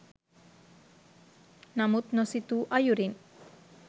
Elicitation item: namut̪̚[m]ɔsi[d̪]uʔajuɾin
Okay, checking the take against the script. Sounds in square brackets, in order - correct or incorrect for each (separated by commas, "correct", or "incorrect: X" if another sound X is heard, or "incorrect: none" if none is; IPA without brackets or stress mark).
incorrect: n, incorrect: t̪